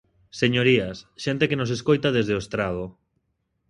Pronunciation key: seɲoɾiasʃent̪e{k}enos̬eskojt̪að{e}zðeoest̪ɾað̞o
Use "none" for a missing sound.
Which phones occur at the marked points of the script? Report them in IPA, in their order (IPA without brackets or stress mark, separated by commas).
k, e